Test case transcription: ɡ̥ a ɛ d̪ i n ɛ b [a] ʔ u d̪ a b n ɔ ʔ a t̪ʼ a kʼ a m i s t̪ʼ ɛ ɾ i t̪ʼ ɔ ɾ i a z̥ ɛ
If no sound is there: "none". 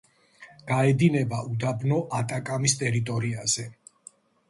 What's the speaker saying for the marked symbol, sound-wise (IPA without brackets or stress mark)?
a